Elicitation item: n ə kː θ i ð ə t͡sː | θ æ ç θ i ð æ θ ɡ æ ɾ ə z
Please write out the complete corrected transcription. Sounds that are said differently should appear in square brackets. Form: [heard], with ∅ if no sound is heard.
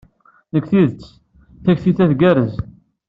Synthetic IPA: n ə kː θ i ð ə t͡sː | θ æ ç θ i [θ] æ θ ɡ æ ɾ ə z